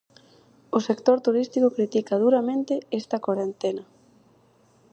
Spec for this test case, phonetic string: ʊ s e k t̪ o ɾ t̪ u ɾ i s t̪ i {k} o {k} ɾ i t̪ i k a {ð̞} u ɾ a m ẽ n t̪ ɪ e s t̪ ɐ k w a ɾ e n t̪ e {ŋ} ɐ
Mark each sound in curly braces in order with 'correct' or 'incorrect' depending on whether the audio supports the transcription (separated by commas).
correct, correct, correct, incorrect